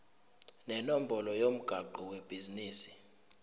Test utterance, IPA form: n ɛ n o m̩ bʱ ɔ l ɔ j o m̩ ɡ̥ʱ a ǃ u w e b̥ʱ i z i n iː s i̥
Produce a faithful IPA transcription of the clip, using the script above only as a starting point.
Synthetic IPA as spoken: n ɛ n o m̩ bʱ ɔ l ɔ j o m̩ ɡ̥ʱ a ǃ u w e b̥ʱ i z i n iː s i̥